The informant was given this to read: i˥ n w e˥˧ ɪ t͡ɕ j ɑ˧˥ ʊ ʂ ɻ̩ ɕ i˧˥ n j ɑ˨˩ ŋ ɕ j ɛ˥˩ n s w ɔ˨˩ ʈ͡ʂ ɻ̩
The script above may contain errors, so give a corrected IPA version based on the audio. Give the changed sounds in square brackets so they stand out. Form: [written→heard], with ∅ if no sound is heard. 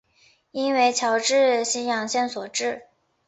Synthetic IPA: i˥ n w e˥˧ ɪ [t͡ɕ→t͡ɕʰ] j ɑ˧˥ ʊ [ʂ→ʈ͡ʂ] ɻ̩ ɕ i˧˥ n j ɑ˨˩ ŋ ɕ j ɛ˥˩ n s w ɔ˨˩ ʈ͡ʂ ɻ̩